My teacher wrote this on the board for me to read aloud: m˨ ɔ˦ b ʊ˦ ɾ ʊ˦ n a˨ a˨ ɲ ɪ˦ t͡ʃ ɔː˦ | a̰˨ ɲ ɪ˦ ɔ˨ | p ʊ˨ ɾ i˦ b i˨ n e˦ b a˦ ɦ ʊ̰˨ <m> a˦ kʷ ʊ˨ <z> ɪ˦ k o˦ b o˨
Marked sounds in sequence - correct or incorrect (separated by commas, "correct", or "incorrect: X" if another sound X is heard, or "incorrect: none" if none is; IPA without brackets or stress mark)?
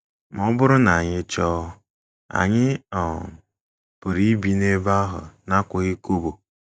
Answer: incorrect: n, incorrect: ɣ